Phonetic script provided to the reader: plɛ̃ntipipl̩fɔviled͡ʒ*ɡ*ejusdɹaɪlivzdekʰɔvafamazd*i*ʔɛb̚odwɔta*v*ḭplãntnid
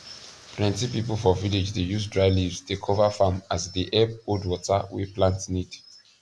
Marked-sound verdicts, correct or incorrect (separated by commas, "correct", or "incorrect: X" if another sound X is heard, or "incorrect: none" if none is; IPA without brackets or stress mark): incorrect: d, correct, incorrect: w